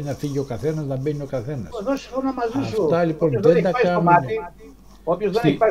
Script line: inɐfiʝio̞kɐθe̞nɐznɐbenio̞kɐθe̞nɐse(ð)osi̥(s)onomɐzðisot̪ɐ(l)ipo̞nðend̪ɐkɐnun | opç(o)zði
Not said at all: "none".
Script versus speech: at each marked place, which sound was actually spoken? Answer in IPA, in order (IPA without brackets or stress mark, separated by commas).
ð, f, l, o